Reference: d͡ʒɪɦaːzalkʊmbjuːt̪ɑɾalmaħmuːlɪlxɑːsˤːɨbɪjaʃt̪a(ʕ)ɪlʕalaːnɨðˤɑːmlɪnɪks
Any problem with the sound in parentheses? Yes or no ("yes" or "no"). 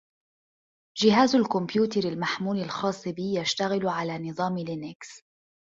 yes